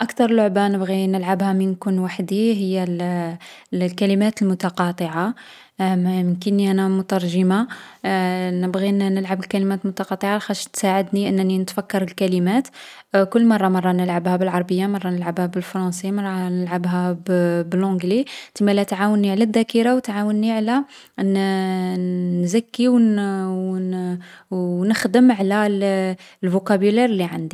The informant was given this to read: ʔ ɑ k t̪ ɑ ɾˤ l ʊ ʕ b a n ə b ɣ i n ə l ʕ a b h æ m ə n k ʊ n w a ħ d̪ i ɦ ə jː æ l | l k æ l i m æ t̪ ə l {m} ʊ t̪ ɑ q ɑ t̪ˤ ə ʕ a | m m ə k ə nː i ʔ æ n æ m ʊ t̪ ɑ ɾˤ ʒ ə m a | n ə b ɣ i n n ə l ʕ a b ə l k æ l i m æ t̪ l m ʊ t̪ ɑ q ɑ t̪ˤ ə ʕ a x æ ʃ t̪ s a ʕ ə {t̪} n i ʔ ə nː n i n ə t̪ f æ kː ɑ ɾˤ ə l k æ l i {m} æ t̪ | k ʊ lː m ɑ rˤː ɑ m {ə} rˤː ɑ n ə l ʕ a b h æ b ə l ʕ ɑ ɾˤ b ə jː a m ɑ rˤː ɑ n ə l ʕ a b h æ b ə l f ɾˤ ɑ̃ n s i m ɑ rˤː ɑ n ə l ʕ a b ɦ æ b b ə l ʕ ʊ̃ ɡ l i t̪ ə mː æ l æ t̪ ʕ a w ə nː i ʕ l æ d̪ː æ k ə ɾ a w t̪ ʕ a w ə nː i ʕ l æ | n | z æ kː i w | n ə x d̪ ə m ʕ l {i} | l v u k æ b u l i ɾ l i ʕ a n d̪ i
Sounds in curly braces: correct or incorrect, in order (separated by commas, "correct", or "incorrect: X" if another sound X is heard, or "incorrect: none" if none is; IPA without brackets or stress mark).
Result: correct, incorrect: d̪, correct, incorrect: ɑ, incorrect: æ